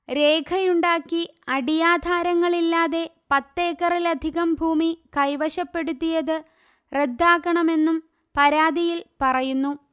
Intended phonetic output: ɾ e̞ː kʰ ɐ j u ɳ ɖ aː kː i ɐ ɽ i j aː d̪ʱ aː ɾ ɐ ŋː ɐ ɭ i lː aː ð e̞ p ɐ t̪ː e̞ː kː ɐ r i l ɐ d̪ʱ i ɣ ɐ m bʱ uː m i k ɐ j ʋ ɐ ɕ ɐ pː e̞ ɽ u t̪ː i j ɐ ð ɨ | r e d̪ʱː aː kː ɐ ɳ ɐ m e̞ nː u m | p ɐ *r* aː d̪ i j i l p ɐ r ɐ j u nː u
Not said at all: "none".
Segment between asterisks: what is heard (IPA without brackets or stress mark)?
ɾ